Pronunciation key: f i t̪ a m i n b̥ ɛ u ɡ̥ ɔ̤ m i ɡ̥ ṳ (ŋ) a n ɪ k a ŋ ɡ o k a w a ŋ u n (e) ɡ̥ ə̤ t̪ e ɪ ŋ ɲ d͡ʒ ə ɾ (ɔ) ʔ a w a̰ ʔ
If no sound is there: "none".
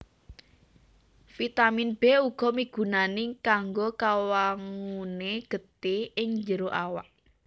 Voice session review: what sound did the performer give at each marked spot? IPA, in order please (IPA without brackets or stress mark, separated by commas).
n, e, o